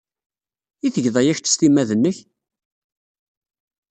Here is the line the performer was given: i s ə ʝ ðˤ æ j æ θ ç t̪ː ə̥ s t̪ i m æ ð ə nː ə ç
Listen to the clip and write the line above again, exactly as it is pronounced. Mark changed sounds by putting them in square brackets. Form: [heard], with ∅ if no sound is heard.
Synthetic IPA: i [θ] ə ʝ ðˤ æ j æ [∅] ç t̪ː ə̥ s t̪ i m æ ð ə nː ə ç

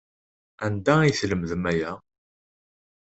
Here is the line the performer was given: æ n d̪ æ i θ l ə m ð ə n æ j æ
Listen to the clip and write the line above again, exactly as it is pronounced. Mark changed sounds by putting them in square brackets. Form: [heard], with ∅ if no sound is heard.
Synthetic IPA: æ n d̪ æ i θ l ə m ð ə [m] æ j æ

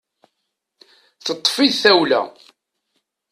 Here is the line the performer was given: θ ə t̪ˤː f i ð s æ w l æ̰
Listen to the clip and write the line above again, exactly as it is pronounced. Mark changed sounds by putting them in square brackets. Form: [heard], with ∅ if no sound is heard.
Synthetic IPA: θ ə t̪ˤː f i ð [θ] æ w l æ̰

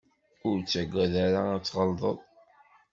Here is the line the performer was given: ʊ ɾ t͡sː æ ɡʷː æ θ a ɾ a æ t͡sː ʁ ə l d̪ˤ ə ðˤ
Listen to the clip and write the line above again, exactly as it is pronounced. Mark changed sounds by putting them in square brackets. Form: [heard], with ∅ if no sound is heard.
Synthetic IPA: ʊ ɾ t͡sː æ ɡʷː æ [ð] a ɾ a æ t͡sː ʁ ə l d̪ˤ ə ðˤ

